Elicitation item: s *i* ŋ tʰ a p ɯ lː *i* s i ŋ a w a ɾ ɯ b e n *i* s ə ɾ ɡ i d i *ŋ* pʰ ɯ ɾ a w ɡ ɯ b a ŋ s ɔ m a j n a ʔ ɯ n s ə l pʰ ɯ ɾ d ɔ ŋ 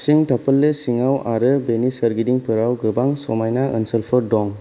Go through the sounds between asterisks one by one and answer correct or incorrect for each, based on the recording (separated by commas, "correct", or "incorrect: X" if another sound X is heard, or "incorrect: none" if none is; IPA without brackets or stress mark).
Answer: correct, incorrect: e, correct, correct